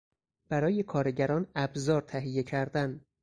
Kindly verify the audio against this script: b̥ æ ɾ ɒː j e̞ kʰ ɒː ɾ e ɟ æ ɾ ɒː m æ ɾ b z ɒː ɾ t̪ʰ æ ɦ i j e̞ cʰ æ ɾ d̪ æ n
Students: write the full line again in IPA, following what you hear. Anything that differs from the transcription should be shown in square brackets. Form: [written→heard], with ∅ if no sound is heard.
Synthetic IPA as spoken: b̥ æ ɾ ɒː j e̞ kʰ ɒː ɾ e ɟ æ ɾ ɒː [m→n] æ [ɾ→∅] b z ɒː ɾ t̪ʰ æ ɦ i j e̞ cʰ æ ɾ d̪ æ n